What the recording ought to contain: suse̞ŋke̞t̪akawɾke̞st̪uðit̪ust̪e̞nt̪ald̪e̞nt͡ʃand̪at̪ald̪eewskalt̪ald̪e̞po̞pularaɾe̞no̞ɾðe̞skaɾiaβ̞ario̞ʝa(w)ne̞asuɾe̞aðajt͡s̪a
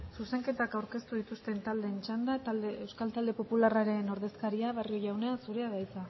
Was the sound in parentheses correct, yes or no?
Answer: yes